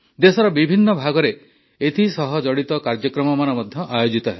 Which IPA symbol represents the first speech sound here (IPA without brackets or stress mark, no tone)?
d̪